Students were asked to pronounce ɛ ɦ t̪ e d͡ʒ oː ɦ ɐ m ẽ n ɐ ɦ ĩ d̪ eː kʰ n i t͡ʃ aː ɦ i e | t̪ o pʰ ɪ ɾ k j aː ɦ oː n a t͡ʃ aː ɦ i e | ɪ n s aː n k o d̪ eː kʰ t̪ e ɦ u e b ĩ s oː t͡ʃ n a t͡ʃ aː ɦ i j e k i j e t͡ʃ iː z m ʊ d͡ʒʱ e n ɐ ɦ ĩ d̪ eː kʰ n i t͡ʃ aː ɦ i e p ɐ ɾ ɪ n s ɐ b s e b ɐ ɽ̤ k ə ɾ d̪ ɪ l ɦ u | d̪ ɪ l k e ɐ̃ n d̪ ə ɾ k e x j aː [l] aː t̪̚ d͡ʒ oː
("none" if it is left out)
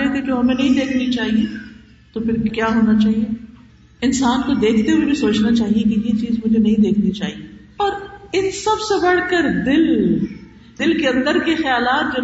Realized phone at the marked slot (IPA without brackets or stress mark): l